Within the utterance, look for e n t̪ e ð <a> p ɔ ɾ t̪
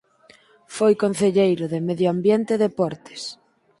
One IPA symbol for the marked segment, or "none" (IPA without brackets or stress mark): e